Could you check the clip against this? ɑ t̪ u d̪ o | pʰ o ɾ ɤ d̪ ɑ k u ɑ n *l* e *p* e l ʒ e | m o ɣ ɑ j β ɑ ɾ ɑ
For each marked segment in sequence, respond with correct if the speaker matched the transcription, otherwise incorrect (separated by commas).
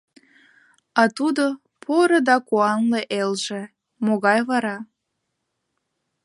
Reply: correct, incorrect